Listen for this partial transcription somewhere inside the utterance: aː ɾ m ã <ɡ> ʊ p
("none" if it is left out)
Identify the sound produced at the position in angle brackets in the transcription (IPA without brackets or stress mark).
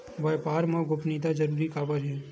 ɡ